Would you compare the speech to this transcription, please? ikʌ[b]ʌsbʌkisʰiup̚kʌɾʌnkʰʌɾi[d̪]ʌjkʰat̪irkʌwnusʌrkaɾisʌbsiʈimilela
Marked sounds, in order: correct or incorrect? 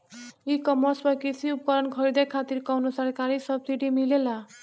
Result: incorrect, correct

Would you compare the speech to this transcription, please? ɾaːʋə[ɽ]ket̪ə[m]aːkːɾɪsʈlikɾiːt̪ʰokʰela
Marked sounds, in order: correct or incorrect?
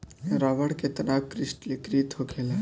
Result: correct, incorrect

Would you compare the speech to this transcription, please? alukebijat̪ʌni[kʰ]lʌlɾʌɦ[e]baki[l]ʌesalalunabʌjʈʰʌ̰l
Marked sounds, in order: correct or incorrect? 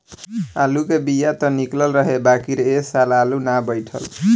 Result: incorrect, correct, incorrect

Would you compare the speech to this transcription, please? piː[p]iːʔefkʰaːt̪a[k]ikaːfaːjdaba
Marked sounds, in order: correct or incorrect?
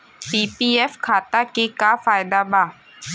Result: correct, correct

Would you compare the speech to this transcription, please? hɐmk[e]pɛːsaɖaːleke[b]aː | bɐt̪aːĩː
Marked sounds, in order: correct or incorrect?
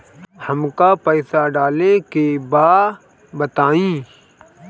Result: incorrect, correct

